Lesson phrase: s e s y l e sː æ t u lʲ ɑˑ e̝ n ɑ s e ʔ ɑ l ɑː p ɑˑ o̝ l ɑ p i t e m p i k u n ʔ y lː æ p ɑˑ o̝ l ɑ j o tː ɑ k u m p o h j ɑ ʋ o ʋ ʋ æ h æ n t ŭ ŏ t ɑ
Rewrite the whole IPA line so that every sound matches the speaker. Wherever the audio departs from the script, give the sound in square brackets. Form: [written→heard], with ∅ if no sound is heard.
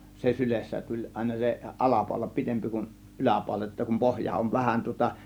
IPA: s e s y l e sː æ t u lʲ ɑˑ e̝ n ɑ s e ʔ ɑ l [ɑː→ɑ] p ɑˑ o̝ l ɑ p i t e m p i k u n ʔ y [lː→l] æ p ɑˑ o̝ l ɑ j o tː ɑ k u m p o h j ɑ [ʋ→∅] o ʋ ʋ æ h æ n t ŭ ŏ t ɑ